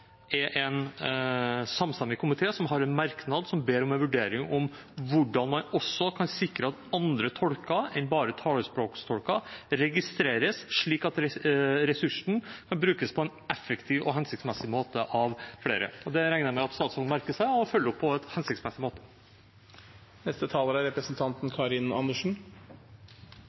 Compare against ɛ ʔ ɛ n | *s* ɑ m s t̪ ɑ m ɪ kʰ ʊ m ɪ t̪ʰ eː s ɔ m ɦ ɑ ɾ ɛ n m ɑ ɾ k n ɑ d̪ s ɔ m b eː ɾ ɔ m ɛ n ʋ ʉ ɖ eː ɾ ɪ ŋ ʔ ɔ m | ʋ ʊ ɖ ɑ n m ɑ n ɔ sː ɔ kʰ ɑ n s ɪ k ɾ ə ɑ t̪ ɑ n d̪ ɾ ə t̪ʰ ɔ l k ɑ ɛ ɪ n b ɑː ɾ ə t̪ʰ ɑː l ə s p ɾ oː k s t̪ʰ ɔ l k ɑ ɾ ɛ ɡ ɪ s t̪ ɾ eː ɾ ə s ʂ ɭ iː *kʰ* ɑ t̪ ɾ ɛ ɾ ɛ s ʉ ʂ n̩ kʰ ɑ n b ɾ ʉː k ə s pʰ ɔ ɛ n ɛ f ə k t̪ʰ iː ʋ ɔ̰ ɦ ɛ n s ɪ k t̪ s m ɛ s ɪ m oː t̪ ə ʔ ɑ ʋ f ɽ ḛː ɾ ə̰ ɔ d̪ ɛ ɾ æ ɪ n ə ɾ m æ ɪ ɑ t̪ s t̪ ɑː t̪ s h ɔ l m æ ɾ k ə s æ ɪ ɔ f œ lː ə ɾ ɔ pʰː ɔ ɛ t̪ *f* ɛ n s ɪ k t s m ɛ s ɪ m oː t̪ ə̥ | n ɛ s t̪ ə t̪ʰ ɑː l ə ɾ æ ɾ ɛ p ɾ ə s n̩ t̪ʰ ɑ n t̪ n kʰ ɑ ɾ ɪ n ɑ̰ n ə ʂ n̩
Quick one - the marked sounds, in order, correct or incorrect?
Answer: correct, incorrect, incorrect

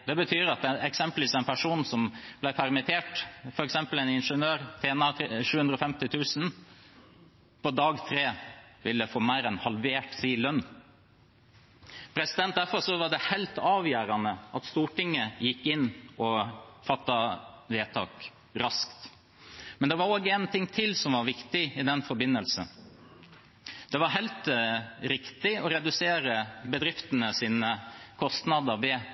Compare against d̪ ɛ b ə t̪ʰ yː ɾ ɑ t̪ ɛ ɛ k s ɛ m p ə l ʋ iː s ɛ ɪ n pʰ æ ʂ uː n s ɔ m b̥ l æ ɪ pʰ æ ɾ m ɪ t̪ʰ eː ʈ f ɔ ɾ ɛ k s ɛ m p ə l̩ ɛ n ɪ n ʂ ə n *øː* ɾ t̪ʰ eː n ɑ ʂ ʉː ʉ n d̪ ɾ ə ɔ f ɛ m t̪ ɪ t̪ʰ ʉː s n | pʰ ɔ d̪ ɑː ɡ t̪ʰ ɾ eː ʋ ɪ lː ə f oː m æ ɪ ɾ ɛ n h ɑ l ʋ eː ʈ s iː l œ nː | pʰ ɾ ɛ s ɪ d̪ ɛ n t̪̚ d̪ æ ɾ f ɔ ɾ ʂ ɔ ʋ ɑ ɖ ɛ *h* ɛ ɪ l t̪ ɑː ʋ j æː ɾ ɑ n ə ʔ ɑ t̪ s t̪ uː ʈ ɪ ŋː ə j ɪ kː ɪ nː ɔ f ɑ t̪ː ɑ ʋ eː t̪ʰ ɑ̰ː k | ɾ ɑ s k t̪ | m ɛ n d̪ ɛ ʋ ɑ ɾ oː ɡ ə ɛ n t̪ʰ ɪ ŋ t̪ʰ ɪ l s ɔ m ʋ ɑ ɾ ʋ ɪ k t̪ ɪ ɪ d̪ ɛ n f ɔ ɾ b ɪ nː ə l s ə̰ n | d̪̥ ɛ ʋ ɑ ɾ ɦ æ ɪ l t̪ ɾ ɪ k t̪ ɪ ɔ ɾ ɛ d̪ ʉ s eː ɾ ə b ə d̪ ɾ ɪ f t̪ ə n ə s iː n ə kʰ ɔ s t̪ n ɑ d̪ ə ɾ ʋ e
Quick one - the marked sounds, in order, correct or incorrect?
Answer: correct, correct

